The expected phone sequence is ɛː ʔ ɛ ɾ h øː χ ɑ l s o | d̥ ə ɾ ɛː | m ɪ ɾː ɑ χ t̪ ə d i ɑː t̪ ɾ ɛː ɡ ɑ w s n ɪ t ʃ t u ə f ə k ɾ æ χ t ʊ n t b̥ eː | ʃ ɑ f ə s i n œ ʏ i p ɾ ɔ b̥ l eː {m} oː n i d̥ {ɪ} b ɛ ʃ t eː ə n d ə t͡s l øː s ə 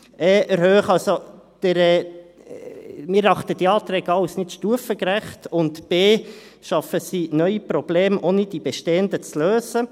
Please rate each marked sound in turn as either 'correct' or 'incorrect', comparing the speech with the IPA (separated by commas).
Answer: correct, incorrect